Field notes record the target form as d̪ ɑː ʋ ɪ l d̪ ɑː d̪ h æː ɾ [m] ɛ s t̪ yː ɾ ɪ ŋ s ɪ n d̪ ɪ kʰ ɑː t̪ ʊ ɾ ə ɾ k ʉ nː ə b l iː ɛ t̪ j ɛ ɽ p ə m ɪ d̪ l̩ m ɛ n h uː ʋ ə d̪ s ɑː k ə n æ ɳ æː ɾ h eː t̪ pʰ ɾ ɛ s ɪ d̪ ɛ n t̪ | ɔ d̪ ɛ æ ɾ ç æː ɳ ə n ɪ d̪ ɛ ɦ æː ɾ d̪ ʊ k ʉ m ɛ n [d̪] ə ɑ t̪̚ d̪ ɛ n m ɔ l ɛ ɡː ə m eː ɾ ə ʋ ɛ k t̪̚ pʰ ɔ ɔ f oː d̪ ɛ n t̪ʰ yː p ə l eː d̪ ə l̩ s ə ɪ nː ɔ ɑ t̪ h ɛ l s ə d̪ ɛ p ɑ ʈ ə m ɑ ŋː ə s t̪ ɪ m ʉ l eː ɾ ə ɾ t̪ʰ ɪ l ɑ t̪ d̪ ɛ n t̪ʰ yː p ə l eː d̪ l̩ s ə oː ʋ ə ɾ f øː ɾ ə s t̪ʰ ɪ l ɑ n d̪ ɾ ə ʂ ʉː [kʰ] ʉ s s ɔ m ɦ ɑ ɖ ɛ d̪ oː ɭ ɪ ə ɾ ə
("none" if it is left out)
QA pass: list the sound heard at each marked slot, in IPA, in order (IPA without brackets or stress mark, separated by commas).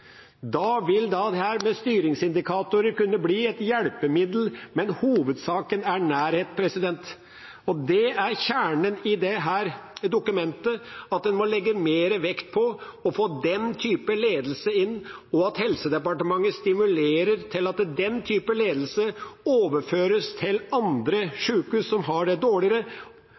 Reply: m, t̪, k